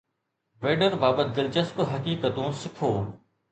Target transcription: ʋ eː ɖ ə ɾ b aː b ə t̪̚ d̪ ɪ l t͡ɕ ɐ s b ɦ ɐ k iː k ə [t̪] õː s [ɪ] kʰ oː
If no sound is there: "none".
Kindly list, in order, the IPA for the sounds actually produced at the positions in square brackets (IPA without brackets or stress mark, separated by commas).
t̪, ɪ